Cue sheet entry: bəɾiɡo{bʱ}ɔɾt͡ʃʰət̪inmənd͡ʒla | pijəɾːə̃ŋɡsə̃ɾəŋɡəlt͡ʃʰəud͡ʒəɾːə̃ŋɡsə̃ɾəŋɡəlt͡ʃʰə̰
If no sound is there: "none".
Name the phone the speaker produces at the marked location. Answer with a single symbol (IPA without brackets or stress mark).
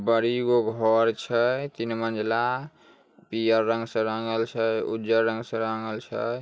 ɡʱ